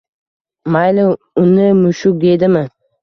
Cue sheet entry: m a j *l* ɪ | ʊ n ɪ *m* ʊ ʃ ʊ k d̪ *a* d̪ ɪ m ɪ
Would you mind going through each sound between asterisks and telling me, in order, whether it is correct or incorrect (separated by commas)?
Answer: correct, correct, incorrect